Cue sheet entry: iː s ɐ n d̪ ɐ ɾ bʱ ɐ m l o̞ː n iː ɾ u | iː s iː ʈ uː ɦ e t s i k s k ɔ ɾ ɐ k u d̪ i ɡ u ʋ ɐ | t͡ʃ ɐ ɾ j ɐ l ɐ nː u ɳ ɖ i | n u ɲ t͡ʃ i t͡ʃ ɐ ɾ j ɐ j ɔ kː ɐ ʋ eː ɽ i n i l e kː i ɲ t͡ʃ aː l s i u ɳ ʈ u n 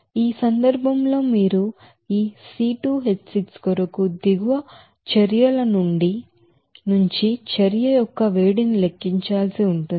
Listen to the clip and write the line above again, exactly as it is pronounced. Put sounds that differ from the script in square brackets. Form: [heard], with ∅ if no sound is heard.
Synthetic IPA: iː s ɐ n d̪ ɐ ɾ bʱ ɐ m l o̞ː [m] iː ɾ u | iː s iː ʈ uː ɦ e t s i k s k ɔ ɾ ɐ k u d̪ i ɡ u ʋ ɐ | t͡ʃ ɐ ɾ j ɐ l ɐ [n] u ɳ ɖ i | n u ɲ t͡ʃ i t͡ʃ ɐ ɾ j ɐ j ɔ kː ɐ ʋ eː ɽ i n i l e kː i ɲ t͡ʃ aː l s i u ɳ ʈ u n

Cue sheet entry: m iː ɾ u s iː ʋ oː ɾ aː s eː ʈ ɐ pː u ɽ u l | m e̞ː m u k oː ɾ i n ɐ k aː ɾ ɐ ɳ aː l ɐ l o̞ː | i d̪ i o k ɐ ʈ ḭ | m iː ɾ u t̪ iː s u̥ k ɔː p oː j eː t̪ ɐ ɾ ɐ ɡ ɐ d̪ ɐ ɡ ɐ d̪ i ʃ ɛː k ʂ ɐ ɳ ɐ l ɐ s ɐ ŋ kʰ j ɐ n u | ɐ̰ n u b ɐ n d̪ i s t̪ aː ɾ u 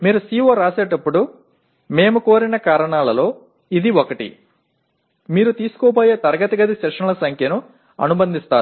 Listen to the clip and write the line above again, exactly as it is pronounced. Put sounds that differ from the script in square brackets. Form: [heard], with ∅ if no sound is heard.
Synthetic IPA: m iː ɾ u s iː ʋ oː ɾ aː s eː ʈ ɐ pː u ɽ u [∅] | m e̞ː m u k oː ɾ i n ɐ k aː ɾ ɐ ɳ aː l ɐ l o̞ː | i d̪ i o k ɐ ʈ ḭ | m iː ɾ u t̪ iː s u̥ k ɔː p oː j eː t̪ ɐ ɾ ɐ ɡ ɐ [t̪] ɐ ɡ ɐ d̪ i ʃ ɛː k ʂ ɐ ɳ ɐ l ɐ s ɐ ŋ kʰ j ɐ n u | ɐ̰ n u b ɐ n d̪ i s t̪ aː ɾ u

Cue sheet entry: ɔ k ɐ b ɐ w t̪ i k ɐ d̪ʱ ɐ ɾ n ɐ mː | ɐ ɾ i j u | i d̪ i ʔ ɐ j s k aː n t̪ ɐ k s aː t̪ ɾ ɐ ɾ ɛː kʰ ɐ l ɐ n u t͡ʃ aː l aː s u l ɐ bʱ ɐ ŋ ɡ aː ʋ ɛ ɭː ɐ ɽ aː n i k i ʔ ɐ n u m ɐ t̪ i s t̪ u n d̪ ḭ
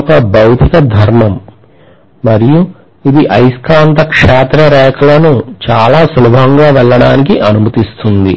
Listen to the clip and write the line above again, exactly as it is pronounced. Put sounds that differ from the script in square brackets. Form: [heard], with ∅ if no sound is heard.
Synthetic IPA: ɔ k ɐ b ɐ w t̪ i k ɐ d̪ʱ ɐ ɾ [m] ɐ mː | ɐ ɾ i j u | i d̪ i ʔ ɐ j s k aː n t̪ ɐ k [ʂ] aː t̪ ɾ ɐ ɾ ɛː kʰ ɐ l ɐ n u t͡ʃ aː l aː s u l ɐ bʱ ɐ ŋ ɡ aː ʋ ɛ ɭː ɐ ɽ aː n i k i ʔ ɐ n u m ɐ t̪ i s t̪ u n d̪ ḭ

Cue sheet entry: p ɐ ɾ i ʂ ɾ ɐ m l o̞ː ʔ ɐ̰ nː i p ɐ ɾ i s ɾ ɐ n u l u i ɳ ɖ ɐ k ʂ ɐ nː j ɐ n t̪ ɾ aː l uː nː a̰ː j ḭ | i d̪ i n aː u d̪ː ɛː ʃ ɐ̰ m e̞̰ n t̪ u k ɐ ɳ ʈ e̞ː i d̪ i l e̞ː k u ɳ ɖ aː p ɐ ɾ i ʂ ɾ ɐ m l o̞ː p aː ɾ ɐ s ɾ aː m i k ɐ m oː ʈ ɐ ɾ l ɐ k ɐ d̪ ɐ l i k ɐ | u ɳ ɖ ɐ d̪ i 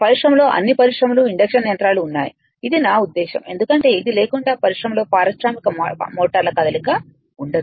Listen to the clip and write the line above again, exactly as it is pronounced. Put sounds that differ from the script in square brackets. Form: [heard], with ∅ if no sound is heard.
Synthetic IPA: p ɐ ɾ i ʂ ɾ ɐ m l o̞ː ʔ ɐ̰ nː i p ɐ ɾ i [ʂ] ɾ ɐ [m] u l u i ɳ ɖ ɐ k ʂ ɐ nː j ɐ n t̪ ɾ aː l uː nː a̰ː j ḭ | i d̪ i n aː u d̪ː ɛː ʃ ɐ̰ m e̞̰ n [d̪] u k ɐ ɳ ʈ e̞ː i d̪ i l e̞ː k u ɳ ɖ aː p ɐ ɾ i ʂ ɾ ɐ m l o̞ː p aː ɾ ɐ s ɾ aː m i k ɐ m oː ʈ ɐ ɾ l ɐ k ɐ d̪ ɐ l i k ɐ | u ɳ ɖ ɐ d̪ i

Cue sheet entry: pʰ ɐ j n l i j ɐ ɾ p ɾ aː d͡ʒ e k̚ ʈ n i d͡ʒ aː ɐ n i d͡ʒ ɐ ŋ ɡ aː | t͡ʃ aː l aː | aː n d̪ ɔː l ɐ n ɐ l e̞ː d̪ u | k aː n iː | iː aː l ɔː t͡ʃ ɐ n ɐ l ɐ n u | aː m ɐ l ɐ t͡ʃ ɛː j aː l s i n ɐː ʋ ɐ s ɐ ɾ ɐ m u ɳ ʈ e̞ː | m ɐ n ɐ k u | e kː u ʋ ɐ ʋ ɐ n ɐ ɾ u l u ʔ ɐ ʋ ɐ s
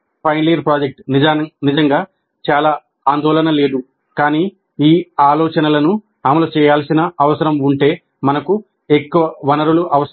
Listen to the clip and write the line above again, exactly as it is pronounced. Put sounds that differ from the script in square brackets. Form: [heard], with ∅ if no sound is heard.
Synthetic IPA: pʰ ɐ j n l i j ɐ ɾ p ɾ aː d͡ʒ e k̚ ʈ n i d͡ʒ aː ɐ n i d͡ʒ ɐ ŋ ɡ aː | t͡ʃ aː l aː | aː n d̪ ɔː l ɐ n ɐ l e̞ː d̪ u | k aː n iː | iː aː l ɔː t͡ʃ ɐ n ɐ l ɐ n u | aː m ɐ l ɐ t͡ʃ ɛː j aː l s i n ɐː ʋ ɐ s ɐ ɾ ɐ m u ɳ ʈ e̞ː | m ɐ n ɐ k u | e kː u ʋ ɐ ʋ ɐ n ɐ ɾ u l u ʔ ɐ ʋ ɐ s

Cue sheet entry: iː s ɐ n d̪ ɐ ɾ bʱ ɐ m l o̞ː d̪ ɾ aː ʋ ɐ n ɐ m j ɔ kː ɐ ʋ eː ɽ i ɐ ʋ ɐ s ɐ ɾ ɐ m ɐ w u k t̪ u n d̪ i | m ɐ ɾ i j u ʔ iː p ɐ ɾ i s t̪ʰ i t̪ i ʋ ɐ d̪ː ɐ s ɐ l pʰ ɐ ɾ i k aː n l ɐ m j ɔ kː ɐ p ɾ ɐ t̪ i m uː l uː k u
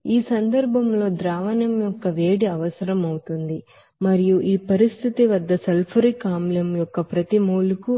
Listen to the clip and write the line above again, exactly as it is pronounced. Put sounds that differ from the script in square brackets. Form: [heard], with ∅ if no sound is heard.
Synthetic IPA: iː s ɐ n d̪ ɐ ɾ bʱ ɐ m l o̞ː d̪ ɾ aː ʋ ɐ n ɐ m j ɔ kː ɐ ʋ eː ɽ i ɐ ʋ ɐ s ɐ ɾ ɐ m ɐ w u [∅] t̪ u n d̪ i | m ɐ ɾ i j u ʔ iː p ɐ ɾ i s t̪ʰ i t̪ i ʋ ɐ d̪ː ɐ s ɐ l pʰ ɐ ɾ i k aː [m] l ɐ m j ɔ kː ɐ p ɾ ɐ t̪ i m uː l [u] k u

